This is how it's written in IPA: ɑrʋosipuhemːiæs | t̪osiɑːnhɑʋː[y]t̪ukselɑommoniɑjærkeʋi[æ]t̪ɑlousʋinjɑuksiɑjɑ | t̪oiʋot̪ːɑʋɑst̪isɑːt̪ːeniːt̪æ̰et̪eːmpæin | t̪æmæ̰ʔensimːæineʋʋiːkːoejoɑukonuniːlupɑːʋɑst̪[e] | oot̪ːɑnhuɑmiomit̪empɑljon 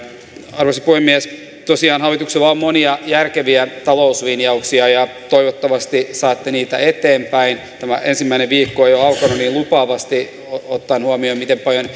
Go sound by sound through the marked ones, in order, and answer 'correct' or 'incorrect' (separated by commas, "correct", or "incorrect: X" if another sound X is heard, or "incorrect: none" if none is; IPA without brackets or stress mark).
incorrect: i, correct, incorrect: i